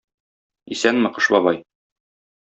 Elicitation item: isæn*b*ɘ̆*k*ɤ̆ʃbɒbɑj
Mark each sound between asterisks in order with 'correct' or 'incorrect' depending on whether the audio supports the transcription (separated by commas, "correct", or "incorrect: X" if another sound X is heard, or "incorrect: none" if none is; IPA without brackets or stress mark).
incorrect: m, incorrect: q